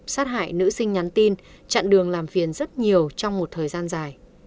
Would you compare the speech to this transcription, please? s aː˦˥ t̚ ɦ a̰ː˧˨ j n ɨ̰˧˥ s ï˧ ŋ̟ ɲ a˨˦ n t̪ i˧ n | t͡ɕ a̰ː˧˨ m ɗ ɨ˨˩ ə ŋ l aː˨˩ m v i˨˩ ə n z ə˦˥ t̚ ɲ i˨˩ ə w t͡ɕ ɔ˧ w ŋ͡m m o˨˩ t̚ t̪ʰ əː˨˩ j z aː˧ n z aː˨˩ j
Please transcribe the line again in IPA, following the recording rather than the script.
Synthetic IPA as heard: s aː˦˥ t̚ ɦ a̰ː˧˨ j n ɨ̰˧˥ s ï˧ ŋ̟ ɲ a˨˦ n t̪ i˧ n | t͡ɕ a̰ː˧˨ n ɗ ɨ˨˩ ə ŋ l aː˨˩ m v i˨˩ ə n z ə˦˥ t̚ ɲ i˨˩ ə w t͡ɕ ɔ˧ w ŋ͡m m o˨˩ t̚ t̪ʰ əː˨˩ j z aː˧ n z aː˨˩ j